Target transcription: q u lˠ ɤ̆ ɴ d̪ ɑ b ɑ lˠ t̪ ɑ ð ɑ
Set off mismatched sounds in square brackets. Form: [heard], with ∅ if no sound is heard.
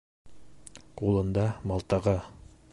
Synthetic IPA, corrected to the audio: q u lˠ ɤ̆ [n] d̪ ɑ [m] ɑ lˠ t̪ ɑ [ʁ] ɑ